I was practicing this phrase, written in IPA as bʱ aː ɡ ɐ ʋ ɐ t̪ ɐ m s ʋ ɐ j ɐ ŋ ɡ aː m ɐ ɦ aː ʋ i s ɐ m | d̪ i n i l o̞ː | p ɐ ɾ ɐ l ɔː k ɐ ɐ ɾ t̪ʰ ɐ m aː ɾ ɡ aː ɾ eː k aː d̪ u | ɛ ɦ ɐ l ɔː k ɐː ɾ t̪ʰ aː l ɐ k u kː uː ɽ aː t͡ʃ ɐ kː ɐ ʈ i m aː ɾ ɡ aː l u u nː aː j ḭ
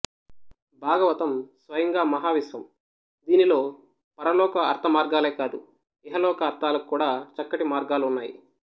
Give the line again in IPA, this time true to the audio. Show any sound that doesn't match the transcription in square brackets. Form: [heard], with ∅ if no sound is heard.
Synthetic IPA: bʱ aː ɡ ɐ ʋ ɐ t̪ ɐ m s ʋ ɐ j ɐ ŋ ɡ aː m ɐ ɦ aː ʋ i s ɐ m | d̪ [iː] n i l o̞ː | p ɐ ɾ ɐ l ɔː k ɐ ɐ ɾ t̪ʰ ɐ m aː ɾ ɡ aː [l] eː k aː d̪ u | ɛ ɦ ɐ l ɔː k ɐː ɾ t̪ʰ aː l ɐ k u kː uː ɽ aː t͡ʃ ɐ kː ɐ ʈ i m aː ɾ ɡ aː l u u nː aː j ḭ